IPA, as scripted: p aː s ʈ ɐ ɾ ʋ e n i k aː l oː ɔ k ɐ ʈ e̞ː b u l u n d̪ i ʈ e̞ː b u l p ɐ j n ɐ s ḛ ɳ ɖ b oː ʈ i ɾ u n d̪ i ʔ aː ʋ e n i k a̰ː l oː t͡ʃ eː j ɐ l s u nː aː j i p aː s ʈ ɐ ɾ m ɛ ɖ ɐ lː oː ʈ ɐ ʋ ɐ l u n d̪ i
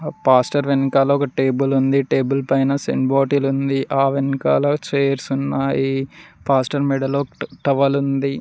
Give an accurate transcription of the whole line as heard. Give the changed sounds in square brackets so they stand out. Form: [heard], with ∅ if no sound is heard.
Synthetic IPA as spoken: p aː s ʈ ɐ ɾ ʋ e n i k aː l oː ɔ k ɐ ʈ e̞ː b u l u n d̪ i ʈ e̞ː b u l p ɐ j n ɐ s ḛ ɳ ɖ b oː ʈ i [l] u n d̪ i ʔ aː ʋ e n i k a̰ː l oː t͡ʃ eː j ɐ [ɾ] s u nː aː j i p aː s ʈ ɐ ɾ m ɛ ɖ ɐ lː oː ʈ ɐ ʋ ɐ l u n d̪ i